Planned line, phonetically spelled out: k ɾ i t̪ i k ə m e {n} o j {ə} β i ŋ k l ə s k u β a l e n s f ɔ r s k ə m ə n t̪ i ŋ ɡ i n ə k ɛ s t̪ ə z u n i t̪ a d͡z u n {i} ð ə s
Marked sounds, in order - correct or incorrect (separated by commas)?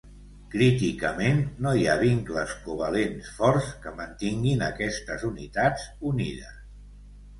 incorrect, incorrect, correct